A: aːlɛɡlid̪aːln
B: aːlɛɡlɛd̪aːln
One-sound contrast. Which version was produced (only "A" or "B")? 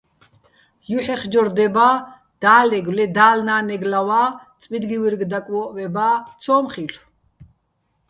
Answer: B